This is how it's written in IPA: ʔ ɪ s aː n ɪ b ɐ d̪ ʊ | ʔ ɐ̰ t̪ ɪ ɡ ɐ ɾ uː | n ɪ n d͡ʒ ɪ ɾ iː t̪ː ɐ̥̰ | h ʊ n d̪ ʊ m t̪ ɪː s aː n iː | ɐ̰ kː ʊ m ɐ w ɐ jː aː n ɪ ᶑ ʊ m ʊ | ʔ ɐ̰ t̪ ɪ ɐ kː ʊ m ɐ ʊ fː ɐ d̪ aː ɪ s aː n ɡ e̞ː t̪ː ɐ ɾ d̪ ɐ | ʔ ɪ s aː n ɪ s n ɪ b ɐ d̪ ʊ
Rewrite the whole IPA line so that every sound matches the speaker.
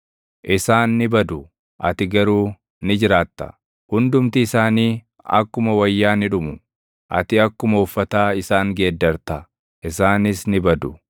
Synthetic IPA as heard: ʔ ɪ s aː nː ɪ b ɐ d̪ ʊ | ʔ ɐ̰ t̪ ɪ ɡ ɐ ɾ uː | n ɪ d͡ʒ ɪ ɾ aː t̪ː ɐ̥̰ | h ʊ n d̪ ʊ m t̪ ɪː s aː n iː | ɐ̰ kː ʊ m ɐ w ɐ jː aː n ɪ ᶑ ʊ m ʊ | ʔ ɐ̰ t̪ ɪ ɐ kː ʊ m ɐ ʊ fː ɐ t̪ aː ɪ s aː ŋ ɡ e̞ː d̪ː ɐ ɾ t̪ ɐ | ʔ ɪ s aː n ɪ s n ɪ b ɐ d̪ ʊ